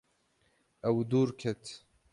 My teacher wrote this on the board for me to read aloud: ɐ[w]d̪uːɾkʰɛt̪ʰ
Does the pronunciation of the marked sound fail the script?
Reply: no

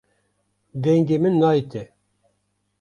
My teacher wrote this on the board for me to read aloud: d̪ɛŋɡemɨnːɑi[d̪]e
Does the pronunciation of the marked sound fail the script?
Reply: yes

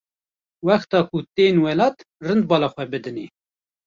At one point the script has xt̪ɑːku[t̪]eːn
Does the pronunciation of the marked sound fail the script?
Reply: no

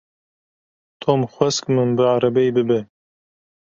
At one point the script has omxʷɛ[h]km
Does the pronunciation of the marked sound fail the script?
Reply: yes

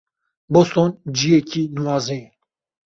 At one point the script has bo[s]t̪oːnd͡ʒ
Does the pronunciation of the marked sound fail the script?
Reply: no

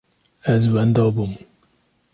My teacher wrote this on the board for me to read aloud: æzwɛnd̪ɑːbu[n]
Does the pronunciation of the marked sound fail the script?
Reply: yes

